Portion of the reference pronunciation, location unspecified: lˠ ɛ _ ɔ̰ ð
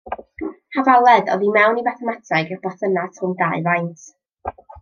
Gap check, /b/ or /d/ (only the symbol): d